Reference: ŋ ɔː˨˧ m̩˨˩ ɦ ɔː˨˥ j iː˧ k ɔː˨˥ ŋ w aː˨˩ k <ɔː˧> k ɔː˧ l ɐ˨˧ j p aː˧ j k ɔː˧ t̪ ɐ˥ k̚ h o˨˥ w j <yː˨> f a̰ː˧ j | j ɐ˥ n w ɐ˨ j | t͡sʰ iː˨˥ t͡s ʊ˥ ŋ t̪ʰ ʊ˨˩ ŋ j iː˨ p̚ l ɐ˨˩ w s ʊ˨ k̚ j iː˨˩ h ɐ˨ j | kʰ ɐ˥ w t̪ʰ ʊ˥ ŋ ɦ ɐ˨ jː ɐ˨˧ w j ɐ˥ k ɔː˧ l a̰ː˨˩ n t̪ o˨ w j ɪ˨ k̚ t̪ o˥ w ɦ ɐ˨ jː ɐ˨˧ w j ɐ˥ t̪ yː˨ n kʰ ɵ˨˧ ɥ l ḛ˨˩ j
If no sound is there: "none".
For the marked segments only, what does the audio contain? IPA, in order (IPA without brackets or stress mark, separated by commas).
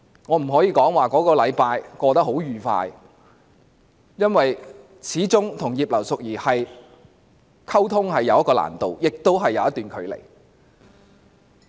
ɔː˨˥, yː˨